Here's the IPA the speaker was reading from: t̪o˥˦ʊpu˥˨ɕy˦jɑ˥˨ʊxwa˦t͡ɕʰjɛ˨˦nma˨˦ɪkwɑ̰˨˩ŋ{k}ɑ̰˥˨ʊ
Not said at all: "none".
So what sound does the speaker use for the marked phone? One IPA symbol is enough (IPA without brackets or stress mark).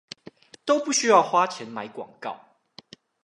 k